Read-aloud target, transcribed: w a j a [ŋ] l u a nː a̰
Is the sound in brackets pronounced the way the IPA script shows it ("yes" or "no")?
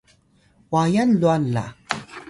no